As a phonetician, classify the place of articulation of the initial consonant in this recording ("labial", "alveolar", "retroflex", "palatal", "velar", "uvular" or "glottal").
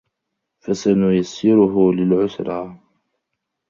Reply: labial